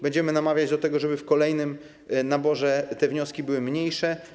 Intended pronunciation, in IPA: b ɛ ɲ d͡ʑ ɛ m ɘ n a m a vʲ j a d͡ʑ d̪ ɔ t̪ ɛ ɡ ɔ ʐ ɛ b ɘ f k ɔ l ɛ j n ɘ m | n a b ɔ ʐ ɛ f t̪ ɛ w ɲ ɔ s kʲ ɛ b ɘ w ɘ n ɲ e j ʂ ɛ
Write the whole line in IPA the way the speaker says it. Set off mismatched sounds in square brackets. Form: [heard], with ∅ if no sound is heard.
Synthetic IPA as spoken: b ɛ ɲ d͡ʑ ɛ m ɘ n a m a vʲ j a d͡ʑ d̪ ɔ t̪ ɛ ɡ ɔ ʐ ɛ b ɘ f k ɔ l ɛ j n ɘ m | n a b ɔ ʐ ɛ [∅] t̪ ɛ [v] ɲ ɔ s kʲ [i] b ɘ w ɘ [m] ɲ e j ʂ ɛ